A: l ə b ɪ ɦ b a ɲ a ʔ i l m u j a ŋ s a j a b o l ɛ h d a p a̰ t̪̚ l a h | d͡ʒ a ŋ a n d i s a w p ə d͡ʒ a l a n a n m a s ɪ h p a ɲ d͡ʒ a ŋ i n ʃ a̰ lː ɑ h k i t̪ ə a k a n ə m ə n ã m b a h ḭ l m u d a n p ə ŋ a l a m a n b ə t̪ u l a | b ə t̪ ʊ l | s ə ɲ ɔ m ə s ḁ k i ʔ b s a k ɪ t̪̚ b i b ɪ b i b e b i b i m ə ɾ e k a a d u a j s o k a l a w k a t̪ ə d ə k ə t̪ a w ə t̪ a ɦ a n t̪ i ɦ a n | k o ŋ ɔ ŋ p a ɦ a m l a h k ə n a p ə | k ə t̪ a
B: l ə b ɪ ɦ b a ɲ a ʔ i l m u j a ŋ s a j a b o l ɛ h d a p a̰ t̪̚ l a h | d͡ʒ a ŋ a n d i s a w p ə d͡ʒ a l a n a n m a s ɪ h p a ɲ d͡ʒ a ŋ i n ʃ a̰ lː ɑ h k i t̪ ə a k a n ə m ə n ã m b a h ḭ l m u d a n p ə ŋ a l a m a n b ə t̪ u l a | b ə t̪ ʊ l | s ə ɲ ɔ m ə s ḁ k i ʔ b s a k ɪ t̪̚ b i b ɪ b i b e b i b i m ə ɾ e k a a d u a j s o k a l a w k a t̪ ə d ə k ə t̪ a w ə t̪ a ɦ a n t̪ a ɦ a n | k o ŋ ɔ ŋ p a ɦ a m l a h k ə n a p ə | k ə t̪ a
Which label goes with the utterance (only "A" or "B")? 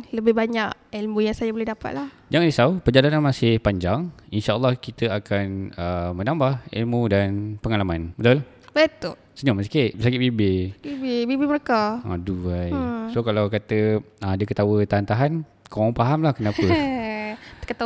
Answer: B